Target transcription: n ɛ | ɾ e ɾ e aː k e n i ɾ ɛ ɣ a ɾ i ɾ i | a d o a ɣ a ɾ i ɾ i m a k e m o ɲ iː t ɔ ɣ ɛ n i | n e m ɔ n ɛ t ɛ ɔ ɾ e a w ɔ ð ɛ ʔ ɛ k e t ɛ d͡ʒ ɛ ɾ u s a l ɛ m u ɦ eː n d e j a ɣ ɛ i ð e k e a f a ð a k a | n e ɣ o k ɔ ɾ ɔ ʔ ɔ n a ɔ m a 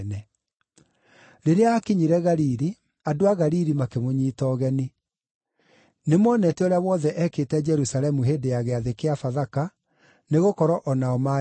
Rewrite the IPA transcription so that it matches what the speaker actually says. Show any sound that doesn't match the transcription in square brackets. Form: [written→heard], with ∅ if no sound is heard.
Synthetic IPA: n ɛ | ɾ e ɾ e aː k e [n→ɲ] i ɾ ɛ ɣ a ɾ i ɾ i | a d o a ɣ a ɾ i ɾ i m a k e m o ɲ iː t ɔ ɣ ɛ n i | n e m ɔ n ɛ t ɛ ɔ ɾ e a w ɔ ð ɛ ʔ ɛ k e t ɛ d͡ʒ ɛ ɾ u s a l ɛ m u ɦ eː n d e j a ɣ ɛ [i→a] ð e k e a f a ð a k a | n e ɣ o k ɔ ɾ ɔ ʔ ɔ n a ɔ m a